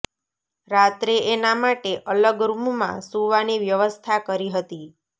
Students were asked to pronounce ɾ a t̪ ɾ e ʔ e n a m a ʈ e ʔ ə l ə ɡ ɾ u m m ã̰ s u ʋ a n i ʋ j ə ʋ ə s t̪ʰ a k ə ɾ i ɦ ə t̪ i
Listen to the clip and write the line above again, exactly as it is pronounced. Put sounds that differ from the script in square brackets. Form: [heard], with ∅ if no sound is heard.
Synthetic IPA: ɾ a t̪ ɾ e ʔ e n a m a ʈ e ʔ ə l ə ɡ ɾ u m m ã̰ s u ʋ a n i ʋ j ə ʋ ə s t̪ʰ a k ə ɾ i ɦ ə t̪ i